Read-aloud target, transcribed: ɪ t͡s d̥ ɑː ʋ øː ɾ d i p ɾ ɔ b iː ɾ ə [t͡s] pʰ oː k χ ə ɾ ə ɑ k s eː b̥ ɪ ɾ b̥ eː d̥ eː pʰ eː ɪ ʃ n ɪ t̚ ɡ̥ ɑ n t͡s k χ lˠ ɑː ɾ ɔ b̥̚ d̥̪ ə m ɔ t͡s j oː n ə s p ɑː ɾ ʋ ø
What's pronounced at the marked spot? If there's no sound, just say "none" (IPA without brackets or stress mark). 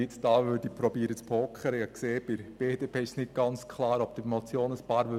t͡s